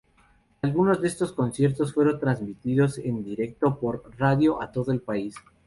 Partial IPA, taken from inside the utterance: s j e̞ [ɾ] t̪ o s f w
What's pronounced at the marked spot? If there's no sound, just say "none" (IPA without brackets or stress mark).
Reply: ɾ